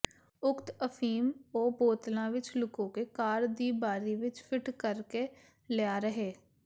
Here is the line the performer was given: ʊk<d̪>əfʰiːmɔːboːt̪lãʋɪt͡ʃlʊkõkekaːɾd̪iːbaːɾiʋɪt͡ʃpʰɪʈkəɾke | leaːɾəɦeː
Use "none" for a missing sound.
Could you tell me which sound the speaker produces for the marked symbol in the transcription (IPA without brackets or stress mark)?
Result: t̪